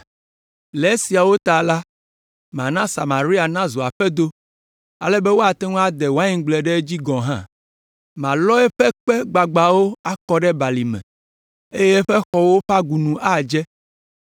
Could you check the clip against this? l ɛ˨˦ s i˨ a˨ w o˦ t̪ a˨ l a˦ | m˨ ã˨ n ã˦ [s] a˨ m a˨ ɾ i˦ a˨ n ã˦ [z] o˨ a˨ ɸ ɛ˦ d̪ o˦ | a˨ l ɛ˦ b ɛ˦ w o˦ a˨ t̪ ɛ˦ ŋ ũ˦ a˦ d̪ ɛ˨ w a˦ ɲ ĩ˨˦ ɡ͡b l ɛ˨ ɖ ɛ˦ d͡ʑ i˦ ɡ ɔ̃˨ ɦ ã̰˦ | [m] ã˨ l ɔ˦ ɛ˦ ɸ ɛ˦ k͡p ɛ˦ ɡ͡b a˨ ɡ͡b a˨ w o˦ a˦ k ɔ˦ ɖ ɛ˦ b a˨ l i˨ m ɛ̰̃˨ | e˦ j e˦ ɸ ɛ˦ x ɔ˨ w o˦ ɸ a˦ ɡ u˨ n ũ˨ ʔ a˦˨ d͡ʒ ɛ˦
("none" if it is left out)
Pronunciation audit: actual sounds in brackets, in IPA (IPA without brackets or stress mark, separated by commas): s, z, m